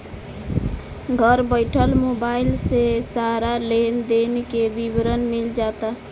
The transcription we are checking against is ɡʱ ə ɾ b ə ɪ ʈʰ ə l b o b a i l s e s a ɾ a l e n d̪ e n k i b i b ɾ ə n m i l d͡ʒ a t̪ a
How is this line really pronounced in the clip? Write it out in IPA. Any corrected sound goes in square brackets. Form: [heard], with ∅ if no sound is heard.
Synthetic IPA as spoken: ɡʱ ə ɾ b ə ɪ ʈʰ ə l [m] o b a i l s e s a ɾ a l e n d̪ e n k [e] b i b ɾ ə n m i l d͡ʒ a t̪ a